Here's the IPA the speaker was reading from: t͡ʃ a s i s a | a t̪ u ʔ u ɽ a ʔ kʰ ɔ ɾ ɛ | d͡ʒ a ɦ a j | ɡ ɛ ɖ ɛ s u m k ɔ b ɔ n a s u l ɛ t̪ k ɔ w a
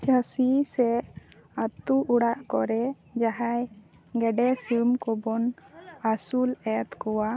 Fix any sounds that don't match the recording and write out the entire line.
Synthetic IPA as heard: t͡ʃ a s i s ɛ | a t̪ u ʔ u ɽ a ʔ k ɔ ɾ ɛ | d͡ʒ a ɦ a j | ɡ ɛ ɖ ɛ s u m k ɔ b ɔ n a s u l ɛ t̪ k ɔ w a